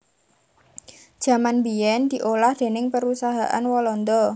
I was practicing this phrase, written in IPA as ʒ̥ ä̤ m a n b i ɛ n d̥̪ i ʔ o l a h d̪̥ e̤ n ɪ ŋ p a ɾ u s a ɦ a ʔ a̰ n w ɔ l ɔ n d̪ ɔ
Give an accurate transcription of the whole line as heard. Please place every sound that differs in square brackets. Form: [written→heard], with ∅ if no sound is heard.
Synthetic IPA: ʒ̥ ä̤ m a n b i ɛ n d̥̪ i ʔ o l a h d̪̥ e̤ n ɪ ŋ p [a→ə] ɾ u s a ɦ a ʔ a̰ n w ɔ l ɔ n d̪ ɔ

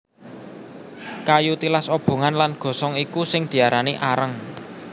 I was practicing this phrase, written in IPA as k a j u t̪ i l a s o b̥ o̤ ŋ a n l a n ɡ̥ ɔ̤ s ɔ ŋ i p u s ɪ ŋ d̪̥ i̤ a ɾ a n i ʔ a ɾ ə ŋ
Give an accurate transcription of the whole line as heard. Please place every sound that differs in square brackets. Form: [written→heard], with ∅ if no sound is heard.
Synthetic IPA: k a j u t̪ i l a s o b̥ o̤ ŋ a n l a n ɡ̥ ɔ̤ s ɔ ŋ i [p→k] u s ɪ ŋ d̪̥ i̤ a ɾ a n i ʔ a ɾ ə ŋ

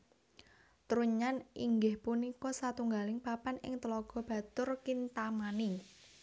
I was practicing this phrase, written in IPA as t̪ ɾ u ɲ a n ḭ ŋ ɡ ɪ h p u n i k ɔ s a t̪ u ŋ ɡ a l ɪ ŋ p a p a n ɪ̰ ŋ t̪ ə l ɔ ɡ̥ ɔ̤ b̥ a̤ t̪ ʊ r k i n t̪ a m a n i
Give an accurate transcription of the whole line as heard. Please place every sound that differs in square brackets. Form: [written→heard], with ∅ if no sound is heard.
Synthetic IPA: t̪ ɾ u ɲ a n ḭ ŋ ɡ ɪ h p u n i k ɔ s a t̪ u ŋ ɡ a l ɪ ŋ p a p a n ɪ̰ ŋ t̪ ə l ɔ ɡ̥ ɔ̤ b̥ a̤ t̪ ʊ r k i n t̪ a m a n i

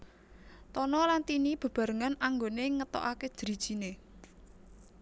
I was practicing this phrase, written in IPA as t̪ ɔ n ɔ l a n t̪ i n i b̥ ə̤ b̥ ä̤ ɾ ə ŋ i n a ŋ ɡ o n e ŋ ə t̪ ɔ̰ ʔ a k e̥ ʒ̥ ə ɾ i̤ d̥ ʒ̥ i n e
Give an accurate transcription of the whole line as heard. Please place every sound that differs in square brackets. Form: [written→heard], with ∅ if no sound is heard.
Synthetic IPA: t̪ ɔ n ɔ l a n t̪ i n i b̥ ə̤ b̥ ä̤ ɾ ə ŋ [i→a] n a ŋ ɡ o n e ŋ ə t̪ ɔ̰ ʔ a k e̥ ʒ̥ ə ɾ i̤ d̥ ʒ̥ i n e

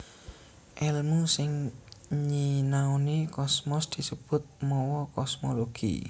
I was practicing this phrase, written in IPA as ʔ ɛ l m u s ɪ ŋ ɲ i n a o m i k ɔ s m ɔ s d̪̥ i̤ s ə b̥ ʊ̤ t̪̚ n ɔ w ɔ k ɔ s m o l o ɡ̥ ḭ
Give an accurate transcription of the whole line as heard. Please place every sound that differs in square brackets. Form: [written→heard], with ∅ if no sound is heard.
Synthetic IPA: ʔ ɛ l m u s ɪ ŋ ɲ i n a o [m→n] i k ɔ s m ɔ s d̪̥ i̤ s ə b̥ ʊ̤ t̪̚ [n→m] ɔ w ɔ k ɔ s m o l o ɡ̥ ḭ

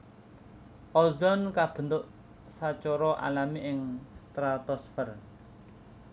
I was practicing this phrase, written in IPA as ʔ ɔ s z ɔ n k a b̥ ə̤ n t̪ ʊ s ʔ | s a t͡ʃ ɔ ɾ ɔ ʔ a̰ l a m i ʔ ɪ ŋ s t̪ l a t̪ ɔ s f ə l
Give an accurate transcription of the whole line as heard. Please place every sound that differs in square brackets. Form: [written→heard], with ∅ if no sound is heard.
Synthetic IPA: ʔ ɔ [s→∅] z ɔ n k a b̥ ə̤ n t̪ ʊ [s→∅] ʔ | s a t͡ʃ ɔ ɾ ɔ ʔ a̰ l a m i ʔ ɪ ŋ s t̪ [l→ɾ] a t̪ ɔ s f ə [l→r]

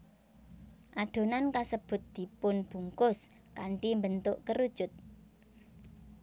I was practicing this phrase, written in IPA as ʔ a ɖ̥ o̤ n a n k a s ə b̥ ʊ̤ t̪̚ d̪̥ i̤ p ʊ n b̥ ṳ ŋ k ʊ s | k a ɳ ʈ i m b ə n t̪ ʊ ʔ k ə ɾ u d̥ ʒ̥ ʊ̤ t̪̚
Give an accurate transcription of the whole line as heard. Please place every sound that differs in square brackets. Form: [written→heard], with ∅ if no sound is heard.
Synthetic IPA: ʔ a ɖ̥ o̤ n a n k a s ə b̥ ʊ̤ t̪̚ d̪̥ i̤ p ʊ n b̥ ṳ ŋ k ʊ s | k a ɳ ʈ i m b ə n t̪ ʊ ʔ k ə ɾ u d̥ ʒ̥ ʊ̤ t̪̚

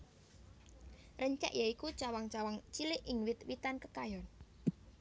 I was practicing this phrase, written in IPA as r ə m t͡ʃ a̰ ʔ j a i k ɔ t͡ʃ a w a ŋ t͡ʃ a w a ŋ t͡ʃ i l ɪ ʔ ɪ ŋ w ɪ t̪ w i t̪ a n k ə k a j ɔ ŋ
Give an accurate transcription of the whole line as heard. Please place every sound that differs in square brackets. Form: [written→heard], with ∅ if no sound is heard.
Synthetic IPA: r ə [m→ɲ] t͡ʃ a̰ ʔ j a i k [ɔ→u] t͡ʃ a w a ŋ t͡ʃ a w a ŋ t͡ʃ i l ɪ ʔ ɪ ŋ w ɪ t̪ w i t̪ a n k ə k a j ɔ [ŋ→n]

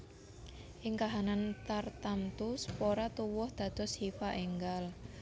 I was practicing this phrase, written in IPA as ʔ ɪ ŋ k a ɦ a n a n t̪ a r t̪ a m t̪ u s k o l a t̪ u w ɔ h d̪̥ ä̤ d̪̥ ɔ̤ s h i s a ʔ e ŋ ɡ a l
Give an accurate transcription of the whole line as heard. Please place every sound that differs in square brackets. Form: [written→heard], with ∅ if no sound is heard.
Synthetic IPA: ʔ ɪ ŋ k a ɦ a n a n t̪ a r t̪ a m t̪ u s [k→p] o [l→ɾ] a t̪ u w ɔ h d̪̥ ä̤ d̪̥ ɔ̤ s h i [s→f] a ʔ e ŋ ɡ a l

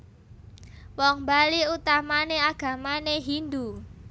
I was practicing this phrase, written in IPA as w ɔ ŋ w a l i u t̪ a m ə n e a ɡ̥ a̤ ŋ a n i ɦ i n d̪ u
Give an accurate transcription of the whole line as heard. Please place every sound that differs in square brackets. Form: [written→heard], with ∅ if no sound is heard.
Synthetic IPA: w ɔ ŋ [w→b] a l i u t̪ a m [ə→a] n e a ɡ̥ a̤ [ŋ→m] a n [i→e] ɦ i n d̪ u

